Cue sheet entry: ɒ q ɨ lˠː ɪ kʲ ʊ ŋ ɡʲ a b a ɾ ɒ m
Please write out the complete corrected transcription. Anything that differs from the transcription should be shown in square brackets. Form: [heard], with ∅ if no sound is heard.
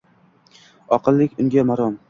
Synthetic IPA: ɒ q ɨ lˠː ɪ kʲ ʊ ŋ ɡʲ a [m] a ɾ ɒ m